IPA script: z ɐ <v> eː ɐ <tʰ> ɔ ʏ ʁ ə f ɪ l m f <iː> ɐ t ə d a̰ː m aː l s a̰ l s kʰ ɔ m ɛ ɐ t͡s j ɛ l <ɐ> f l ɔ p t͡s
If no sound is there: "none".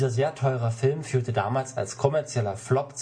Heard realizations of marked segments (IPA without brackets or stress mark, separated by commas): z, tʰ, yː, ɐ